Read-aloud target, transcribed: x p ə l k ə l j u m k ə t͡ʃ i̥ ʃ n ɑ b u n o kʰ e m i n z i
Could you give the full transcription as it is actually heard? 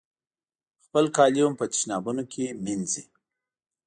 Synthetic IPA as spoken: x p ə l k ɑ l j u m p ə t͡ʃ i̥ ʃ n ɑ b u n o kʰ e m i n z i